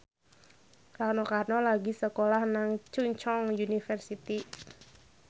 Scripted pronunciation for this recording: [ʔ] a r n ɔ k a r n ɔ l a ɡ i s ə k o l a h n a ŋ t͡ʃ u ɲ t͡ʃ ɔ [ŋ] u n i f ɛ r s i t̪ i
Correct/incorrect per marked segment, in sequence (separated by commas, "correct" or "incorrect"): incorrect, correct